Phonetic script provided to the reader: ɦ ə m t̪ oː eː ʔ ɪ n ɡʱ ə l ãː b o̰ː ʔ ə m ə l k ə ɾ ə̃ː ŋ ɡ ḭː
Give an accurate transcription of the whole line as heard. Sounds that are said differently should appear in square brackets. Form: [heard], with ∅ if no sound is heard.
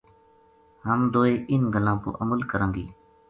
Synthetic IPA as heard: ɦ ə m [d̪] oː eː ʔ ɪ n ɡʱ ə l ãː [p] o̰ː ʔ ə m ə l k ə ɾ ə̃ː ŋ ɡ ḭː